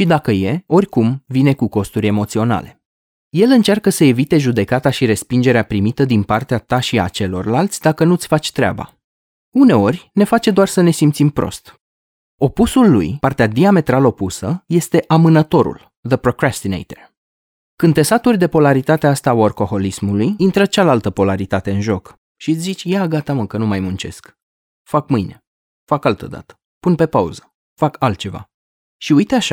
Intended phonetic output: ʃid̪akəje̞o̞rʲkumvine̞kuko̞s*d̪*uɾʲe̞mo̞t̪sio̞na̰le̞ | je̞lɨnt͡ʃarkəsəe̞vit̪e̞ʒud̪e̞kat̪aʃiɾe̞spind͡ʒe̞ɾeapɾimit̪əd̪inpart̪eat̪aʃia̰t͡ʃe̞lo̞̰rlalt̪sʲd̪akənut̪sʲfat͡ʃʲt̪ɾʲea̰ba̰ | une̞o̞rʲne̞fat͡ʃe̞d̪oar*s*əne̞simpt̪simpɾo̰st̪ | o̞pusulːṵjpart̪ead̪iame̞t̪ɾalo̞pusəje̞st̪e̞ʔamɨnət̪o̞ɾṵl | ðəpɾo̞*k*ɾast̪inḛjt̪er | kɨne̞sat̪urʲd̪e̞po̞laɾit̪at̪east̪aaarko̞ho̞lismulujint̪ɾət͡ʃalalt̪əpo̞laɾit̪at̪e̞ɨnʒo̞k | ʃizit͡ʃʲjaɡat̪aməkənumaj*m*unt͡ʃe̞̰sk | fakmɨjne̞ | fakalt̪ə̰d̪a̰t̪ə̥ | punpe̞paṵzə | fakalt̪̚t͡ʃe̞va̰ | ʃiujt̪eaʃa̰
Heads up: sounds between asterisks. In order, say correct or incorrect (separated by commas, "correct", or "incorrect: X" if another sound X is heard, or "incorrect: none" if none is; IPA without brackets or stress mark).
incorrect: t̪, correct, correct, correct